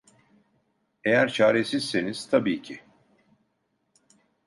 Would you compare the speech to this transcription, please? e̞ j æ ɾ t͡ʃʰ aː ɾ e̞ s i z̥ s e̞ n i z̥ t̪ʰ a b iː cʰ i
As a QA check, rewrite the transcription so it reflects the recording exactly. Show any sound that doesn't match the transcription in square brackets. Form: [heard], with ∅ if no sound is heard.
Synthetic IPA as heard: e̞ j æ ɾ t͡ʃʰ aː ɾ e̞ s i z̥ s e̞ n i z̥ t̪ʰ a b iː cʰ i